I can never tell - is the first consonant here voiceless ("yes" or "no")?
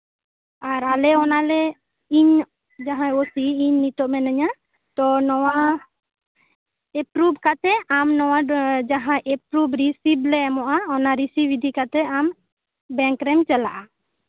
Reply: no